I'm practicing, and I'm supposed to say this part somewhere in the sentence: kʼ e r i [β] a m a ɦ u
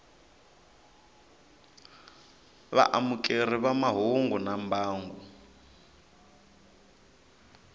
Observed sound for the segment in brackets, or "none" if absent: β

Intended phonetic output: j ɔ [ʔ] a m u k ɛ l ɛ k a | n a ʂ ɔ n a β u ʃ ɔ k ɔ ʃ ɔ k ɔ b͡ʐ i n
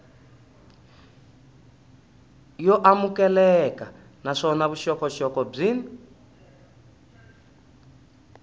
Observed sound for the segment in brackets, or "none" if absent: ʔ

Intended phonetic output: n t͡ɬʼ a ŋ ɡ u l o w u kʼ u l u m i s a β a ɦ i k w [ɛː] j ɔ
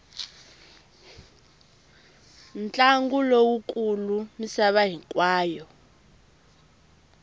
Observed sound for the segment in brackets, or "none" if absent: aː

